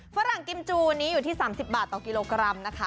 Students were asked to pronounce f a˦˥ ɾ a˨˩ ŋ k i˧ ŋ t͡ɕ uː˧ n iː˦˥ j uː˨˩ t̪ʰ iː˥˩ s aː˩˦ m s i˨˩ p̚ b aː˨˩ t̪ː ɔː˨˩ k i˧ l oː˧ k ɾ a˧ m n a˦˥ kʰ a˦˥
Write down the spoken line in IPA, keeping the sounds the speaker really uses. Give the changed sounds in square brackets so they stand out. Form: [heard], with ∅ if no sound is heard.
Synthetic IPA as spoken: f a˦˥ ɾ a˨˩ ŋ k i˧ [m] t͡ɕ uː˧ n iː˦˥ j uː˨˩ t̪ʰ iː˥˩ s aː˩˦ m s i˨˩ p̚ b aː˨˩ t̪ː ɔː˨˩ k i˧ l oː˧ k ɾ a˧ m n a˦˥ kʰ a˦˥

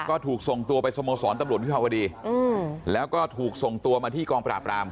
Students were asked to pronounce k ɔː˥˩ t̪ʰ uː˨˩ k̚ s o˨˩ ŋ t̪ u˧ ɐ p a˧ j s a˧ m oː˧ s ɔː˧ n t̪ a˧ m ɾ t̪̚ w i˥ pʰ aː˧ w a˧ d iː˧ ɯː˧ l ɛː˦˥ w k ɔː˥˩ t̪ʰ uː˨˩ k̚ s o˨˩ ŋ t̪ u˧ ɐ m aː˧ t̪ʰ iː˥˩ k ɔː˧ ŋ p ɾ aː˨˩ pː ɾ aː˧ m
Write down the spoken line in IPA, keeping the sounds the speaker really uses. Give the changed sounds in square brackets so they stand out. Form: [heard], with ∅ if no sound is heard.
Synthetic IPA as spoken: k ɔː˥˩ t̪ʰ uː˨˩ k̚ s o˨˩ ŋ t̪ u˧ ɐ p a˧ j s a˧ m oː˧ s [ɔː˩˦] n t̪ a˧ m ɾ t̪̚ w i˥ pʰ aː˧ w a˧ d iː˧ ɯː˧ l ɛː˦˥ w k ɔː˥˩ t̪ʰ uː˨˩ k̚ s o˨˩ ŋ t̪ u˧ ɐ m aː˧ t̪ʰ iː˥˩ k ɔː˧ ŋ p ɾ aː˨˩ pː ɾ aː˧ m

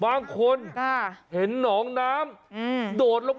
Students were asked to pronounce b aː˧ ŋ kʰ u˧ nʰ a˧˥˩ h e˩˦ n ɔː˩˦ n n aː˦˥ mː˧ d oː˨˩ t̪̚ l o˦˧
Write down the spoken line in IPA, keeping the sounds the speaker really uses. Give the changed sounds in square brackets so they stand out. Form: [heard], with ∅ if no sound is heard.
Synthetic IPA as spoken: b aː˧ ŋ kʰ [o˧] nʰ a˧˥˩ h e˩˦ [nː] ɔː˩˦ [ŋ] n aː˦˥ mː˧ d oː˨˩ t̪̚ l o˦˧

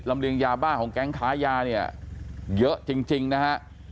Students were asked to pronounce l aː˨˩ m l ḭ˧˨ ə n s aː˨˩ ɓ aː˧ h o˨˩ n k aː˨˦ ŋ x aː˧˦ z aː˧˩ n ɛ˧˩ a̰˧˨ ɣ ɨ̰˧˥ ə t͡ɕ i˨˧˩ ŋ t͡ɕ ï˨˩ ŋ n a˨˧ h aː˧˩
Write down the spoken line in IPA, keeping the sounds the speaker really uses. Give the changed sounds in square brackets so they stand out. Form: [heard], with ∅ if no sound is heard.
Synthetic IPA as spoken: l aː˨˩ m l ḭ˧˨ ə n [z] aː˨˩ ɓ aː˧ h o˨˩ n k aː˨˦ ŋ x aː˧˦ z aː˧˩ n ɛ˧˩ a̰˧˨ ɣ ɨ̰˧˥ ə t͡ɕ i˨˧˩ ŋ t͡ɕ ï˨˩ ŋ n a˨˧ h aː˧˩

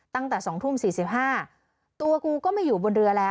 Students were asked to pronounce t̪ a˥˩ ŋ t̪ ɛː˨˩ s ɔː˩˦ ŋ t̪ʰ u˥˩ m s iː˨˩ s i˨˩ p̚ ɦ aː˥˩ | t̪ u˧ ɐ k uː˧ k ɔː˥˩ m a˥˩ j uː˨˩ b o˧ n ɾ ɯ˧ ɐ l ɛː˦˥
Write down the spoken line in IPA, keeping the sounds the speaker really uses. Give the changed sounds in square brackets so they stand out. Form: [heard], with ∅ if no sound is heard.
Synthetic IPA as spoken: t̪ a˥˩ ŋ t̪ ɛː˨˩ s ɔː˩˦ ŋ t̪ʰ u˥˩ m s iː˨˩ s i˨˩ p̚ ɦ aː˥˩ | t̪ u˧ ɐ k uː˧ k ɔː˥˩ m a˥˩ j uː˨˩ b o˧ n ɾ ɯ˧ ɐ l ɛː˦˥

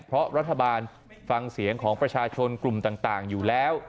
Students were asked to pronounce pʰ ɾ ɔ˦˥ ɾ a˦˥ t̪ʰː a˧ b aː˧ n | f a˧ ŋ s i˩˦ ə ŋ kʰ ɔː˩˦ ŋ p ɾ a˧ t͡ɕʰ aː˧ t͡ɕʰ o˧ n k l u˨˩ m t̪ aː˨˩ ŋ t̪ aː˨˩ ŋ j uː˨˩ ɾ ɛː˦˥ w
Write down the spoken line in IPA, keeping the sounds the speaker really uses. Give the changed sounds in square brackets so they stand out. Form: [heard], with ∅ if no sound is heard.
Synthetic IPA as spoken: pʰ ɾ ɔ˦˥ ɾ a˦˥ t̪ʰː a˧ b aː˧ n | f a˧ ŋ s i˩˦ ə ŋ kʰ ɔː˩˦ ŋ p ɾ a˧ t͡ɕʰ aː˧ t͡ɕʰ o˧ n k l u˨˩ m t̪ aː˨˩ ŋ t̪ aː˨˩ ŋ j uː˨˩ [l] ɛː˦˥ w

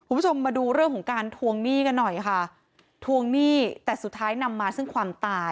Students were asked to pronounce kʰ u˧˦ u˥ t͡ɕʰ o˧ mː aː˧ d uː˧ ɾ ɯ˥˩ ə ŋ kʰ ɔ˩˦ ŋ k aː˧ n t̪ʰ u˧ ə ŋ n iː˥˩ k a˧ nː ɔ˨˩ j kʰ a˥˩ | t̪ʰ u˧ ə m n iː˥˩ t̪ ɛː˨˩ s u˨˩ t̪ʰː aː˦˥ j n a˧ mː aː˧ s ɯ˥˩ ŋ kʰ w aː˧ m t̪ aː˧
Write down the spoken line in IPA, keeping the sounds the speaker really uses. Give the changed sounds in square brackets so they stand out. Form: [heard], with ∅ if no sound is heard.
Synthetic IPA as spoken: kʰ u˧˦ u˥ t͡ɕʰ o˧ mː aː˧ d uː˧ ɾ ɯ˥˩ ə ŋ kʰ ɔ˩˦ ŋ k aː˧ n t̪ʰ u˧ ə ŋ n iː˥˩ k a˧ nː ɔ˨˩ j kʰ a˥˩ | t̪ʰ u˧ ə [ŋ] n iː˥˩ t̪ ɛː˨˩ s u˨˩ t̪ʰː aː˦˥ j n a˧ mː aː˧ s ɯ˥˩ ŋ kʰ w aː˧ m t̪ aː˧

